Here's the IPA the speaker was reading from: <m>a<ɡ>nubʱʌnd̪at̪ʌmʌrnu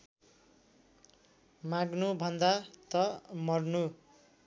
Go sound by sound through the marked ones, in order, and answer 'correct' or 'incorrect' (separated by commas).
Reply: correct, correct